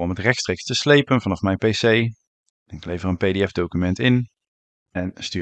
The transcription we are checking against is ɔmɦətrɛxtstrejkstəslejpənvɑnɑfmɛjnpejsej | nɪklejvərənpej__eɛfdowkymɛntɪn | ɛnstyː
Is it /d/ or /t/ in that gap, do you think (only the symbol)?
d